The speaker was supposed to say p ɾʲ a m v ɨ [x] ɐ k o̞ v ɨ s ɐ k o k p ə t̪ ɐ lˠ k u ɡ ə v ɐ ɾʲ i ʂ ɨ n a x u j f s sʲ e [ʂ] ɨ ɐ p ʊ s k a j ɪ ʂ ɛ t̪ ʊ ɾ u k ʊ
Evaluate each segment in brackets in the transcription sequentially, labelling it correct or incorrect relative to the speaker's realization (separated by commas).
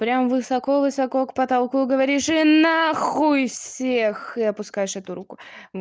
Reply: incorrect, incorrect